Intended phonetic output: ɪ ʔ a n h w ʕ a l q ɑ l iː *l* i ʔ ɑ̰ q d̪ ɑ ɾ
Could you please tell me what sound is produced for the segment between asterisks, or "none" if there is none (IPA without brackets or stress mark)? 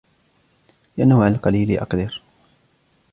l